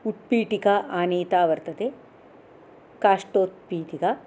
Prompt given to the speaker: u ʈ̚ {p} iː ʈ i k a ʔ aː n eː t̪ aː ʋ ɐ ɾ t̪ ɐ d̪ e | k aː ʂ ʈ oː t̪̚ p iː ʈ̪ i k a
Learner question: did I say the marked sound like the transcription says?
yes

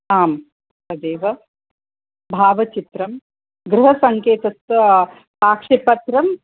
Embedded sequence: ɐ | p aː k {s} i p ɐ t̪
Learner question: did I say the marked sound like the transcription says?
no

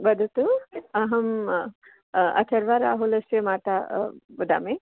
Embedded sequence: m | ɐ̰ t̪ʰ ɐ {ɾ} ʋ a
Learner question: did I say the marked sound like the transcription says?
yes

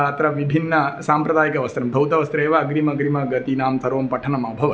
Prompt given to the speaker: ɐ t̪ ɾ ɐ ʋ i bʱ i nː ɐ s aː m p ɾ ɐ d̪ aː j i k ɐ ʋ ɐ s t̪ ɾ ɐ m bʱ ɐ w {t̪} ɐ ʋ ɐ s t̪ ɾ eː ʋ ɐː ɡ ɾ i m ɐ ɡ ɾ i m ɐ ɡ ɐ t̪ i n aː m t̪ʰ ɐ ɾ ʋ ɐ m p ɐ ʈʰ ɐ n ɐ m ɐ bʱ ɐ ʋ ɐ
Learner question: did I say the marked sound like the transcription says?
yes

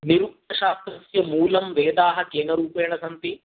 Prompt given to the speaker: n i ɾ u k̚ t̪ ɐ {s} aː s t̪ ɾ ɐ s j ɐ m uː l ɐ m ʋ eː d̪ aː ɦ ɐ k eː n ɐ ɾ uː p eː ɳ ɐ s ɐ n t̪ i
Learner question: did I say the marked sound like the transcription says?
no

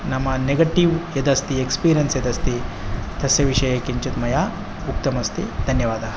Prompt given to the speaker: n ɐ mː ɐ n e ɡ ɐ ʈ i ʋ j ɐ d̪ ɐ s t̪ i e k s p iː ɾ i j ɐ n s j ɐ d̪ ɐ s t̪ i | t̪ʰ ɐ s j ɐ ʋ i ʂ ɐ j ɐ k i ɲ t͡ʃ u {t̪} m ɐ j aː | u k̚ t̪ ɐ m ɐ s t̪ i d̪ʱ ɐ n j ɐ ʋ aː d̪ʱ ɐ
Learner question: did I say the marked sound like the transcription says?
yes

